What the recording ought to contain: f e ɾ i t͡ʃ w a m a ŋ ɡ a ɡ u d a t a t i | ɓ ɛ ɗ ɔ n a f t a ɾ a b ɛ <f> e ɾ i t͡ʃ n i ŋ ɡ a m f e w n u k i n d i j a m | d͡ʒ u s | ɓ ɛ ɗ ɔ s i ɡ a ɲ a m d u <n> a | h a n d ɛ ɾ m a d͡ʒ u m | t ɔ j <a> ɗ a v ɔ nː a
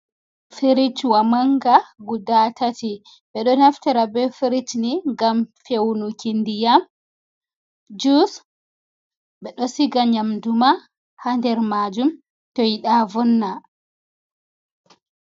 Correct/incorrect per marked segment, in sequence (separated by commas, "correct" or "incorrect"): correct, incorrect, incorrect